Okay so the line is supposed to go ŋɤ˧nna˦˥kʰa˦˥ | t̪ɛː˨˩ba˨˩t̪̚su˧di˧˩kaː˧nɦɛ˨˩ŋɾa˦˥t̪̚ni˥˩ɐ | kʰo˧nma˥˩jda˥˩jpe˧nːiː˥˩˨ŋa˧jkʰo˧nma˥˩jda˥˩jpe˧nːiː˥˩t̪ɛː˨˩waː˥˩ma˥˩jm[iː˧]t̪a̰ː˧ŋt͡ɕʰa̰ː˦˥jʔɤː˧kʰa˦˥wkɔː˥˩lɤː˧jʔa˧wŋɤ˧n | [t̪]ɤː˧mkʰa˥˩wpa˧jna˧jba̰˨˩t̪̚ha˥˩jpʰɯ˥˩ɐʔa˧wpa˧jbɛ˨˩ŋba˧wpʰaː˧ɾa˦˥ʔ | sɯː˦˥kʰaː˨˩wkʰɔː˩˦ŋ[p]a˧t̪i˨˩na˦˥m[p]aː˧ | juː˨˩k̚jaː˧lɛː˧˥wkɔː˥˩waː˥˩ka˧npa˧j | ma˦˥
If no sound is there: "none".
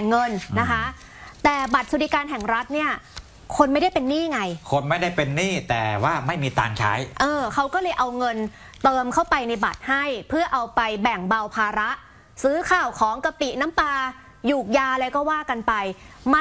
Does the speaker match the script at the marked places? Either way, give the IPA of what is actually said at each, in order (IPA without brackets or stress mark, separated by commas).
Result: iː˧, t̪, k, p